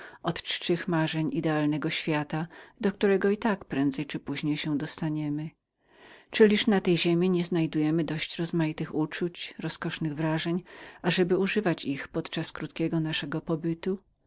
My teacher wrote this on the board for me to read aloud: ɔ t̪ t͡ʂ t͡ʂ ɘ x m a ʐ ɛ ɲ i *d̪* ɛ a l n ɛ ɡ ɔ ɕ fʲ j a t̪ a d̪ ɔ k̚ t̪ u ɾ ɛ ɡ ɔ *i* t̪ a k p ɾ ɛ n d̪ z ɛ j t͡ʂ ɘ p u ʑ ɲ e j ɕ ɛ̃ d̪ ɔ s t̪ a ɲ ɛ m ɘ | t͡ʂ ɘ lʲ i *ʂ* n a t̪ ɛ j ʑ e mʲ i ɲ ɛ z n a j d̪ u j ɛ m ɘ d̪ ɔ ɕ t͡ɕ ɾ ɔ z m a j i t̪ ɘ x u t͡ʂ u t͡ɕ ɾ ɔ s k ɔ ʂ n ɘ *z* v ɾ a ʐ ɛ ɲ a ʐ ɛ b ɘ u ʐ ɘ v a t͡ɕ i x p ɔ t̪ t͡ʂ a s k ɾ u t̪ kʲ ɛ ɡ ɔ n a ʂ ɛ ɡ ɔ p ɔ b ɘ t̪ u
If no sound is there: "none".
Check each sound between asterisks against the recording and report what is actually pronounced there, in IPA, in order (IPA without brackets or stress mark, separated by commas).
d̪, i, ʂ, ɣ